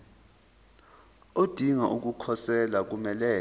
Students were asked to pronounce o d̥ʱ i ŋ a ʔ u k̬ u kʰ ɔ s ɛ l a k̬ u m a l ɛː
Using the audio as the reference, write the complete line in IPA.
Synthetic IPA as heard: o d̥ʱ i ŋ a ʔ u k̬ u kʰ ɔ s ɛ l a k̬ u m ɛ l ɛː